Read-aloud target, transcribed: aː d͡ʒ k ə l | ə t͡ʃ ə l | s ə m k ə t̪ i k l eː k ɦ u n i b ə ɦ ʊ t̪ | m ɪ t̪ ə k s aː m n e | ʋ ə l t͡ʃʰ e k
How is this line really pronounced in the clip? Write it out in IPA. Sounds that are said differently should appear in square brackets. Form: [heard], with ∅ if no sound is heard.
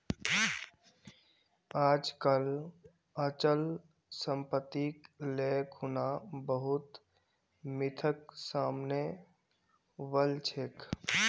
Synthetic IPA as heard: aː d͡ʒ k ə l | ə t͡ʃ ə l | s ə m [p] ə t̪ i k l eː k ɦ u n [a] b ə ɦ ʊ t̪ | m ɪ [t̪ʰ] ə k s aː m n e | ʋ ə l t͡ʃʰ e k